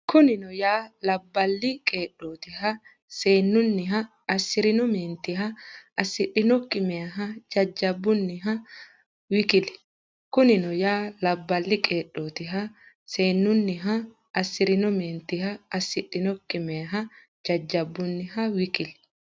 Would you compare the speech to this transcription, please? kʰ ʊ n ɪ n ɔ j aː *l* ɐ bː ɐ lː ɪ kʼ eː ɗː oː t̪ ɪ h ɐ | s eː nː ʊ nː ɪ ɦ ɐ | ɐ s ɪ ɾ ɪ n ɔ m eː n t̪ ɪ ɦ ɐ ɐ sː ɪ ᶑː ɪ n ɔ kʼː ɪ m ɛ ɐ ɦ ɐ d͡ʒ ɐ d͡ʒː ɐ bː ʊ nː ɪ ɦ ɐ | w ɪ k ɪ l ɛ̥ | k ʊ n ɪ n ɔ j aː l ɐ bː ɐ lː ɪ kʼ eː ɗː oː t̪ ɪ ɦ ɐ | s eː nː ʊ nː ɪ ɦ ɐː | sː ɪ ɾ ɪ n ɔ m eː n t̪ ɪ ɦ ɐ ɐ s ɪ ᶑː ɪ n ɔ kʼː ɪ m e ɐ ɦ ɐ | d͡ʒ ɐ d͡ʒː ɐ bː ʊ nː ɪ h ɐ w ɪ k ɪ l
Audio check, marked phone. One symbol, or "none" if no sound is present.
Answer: l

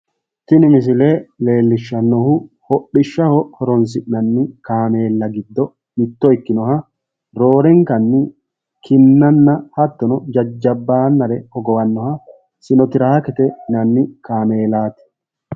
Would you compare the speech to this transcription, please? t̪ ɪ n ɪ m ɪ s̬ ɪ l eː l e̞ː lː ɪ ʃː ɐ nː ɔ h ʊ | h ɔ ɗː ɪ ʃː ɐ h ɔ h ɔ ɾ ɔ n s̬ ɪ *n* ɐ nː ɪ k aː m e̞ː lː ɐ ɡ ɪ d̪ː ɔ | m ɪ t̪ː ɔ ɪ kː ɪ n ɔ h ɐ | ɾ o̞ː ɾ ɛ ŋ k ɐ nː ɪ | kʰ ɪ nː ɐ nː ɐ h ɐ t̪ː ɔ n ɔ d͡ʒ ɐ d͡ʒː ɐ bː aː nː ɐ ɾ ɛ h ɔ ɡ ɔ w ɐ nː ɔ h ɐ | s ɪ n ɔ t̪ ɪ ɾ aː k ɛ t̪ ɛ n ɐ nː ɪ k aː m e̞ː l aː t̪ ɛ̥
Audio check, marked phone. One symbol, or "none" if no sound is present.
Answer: n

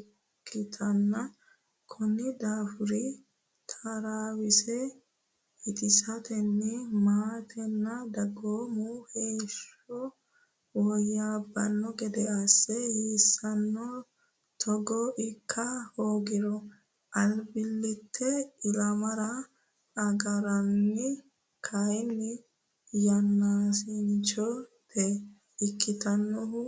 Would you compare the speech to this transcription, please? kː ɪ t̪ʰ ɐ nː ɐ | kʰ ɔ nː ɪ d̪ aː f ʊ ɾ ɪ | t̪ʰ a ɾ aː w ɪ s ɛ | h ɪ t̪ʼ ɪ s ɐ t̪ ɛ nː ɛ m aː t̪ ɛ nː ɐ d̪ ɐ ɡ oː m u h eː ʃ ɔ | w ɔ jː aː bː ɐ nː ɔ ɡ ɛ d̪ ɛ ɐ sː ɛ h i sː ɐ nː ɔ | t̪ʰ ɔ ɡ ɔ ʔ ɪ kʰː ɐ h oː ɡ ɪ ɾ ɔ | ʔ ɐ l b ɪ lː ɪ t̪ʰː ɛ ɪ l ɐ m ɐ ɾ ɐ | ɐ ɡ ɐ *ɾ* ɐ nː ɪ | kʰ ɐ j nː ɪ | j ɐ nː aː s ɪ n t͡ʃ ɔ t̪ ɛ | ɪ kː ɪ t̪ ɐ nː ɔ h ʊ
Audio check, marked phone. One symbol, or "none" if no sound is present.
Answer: ɾ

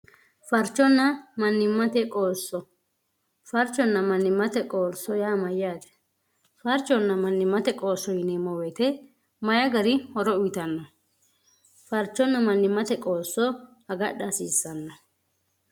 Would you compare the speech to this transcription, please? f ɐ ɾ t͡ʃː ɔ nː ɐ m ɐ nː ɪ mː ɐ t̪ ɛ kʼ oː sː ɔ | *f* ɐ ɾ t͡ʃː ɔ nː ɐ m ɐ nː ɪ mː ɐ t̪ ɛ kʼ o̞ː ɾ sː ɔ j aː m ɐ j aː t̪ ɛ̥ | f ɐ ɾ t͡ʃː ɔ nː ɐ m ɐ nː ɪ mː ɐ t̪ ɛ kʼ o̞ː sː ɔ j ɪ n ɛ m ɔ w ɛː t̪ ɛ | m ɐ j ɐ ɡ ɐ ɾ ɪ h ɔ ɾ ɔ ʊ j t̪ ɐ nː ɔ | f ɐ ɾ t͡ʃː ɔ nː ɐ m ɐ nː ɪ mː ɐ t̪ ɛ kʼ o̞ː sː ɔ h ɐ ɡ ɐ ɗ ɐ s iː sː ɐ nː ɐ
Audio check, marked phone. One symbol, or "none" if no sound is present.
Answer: f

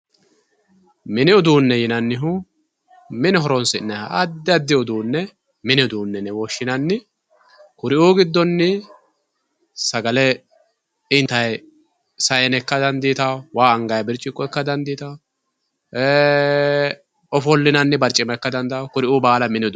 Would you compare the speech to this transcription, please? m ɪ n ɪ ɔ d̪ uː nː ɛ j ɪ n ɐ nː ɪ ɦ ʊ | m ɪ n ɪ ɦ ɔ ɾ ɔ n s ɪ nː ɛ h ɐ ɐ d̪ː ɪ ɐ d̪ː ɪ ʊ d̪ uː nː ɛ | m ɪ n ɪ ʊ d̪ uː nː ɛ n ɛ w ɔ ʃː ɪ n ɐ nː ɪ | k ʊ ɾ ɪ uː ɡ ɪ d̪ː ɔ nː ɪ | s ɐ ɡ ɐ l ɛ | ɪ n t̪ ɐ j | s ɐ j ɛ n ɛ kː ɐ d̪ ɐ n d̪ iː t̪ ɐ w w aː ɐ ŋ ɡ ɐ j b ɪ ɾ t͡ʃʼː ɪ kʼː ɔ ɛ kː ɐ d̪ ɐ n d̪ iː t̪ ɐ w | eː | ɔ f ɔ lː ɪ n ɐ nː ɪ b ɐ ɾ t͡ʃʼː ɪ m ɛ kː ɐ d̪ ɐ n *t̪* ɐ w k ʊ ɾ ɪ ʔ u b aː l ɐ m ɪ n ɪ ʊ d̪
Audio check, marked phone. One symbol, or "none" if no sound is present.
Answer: d̪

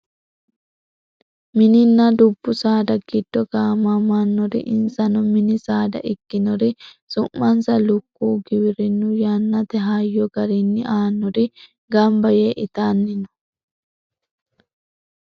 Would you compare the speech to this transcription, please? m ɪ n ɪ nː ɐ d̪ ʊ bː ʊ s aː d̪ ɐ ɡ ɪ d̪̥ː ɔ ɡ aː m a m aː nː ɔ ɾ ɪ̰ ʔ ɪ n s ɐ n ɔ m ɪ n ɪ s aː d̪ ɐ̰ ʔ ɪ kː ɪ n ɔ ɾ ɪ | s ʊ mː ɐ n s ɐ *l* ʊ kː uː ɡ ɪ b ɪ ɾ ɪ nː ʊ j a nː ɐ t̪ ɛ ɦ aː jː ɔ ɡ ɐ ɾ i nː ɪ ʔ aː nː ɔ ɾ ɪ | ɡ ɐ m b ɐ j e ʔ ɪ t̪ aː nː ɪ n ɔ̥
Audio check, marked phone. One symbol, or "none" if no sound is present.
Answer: l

